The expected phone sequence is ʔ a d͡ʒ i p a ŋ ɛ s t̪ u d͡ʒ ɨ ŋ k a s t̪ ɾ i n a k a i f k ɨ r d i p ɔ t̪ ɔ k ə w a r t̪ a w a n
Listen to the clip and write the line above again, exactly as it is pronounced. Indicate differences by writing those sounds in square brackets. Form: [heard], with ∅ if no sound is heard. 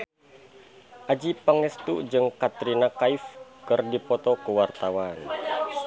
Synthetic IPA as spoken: ʔ a d͡ʒ i p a ŋ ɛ s t̪ u d͡ʒ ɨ ŋ k a [∅] t̪ ɾ i n a k a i f k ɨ r d i p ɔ t̪ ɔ k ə w a r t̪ a w a n